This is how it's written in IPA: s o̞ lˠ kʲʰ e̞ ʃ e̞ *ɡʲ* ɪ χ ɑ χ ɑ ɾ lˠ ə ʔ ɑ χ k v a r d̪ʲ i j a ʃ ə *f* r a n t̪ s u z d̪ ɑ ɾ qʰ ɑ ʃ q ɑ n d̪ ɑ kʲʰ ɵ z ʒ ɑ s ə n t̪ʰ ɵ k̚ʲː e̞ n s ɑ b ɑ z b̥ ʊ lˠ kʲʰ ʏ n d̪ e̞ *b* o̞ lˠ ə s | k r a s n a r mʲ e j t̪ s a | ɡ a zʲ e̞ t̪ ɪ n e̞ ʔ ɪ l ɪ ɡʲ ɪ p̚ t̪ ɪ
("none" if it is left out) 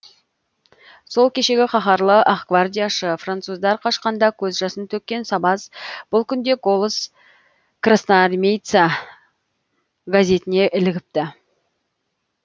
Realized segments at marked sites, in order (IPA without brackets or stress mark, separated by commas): ɡʲ, f, ɡ